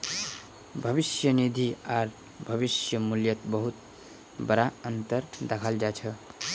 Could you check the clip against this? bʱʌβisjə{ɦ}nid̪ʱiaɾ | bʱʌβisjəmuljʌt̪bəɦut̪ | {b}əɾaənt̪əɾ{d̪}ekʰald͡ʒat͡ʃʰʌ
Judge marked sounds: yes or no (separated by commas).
no, yes, yes